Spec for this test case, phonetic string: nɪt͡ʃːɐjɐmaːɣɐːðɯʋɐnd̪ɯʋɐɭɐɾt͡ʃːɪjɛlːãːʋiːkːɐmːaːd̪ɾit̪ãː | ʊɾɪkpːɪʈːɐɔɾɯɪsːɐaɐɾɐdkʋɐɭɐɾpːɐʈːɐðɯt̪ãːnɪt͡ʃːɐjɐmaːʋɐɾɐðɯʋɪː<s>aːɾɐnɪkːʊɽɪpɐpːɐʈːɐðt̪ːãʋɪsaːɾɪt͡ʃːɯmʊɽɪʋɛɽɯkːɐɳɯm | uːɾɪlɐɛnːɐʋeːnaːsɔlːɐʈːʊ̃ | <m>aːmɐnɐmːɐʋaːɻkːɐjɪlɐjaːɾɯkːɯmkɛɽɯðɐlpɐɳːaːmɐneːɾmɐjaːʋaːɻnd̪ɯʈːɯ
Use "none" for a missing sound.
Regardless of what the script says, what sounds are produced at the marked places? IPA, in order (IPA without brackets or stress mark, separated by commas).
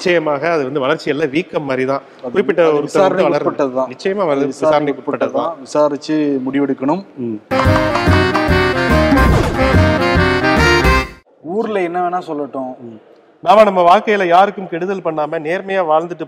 s, n